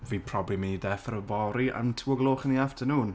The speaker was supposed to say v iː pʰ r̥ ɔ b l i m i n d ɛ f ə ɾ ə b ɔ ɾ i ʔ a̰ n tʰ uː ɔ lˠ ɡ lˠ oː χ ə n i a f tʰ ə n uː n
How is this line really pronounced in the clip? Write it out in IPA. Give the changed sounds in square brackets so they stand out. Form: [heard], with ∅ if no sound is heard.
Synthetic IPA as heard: v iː pʰ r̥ ɔ b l i m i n d ɛ f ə ɾ ə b ɔ ɾ i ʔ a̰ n tʰ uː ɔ [∅] ɡ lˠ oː χ ə n i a f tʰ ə n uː n